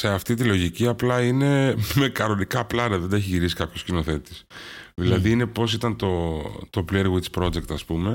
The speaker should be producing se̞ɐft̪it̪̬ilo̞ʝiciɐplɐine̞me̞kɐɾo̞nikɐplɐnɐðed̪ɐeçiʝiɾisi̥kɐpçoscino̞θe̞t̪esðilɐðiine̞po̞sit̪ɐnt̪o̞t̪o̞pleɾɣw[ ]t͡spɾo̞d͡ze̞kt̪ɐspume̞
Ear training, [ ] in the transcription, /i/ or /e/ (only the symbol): i